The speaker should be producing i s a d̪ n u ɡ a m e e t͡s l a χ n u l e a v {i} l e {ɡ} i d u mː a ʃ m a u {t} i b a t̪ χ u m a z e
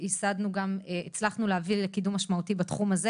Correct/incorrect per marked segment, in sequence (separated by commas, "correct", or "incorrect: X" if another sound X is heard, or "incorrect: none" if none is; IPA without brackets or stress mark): correct, incorrect: k, correct